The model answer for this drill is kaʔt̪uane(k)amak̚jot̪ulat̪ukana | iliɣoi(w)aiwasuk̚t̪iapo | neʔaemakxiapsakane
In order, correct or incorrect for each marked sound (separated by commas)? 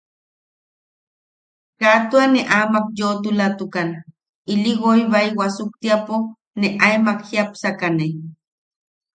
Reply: incorrect, incorrect